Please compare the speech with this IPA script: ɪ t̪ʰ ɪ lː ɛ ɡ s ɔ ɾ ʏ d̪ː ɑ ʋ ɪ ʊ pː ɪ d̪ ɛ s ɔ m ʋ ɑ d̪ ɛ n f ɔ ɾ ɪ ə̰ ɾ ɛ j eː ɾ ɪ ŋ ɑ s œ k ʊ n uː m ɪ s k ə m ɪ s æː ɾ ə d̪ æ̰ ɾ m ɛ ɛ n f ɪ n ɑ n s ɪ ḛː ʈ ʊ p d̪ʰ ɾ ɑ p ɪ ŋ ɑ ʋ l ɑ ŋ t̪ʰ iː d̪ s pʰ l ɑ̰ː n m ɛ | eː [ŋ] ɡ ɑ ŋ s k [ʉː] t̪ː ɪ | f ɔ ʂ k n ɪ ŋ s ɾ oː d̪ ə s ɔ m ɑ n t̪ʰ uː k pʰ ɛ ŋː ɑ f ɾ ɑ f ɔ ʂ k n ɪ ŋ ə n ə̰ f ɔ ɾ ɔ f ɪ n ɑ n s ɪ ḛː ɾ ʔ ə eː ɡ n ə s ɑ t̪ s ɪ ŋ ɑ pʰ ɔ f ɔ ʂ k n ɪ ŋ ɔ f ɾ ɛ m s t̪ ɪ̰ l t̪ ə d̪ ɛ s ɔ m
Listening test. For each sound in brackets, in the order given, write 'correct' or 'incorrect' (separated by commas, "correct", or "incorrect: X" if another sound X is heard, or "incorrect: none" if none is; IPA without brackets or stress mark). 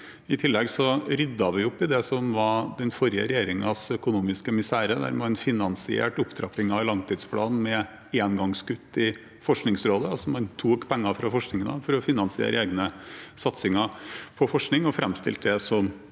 incorrect: n, incorrect: ʉ